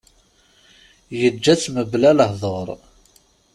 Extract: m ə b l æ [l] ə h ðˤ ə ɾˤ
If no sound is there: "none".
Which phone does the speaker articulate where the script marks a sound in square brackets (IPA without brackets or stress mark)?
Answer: l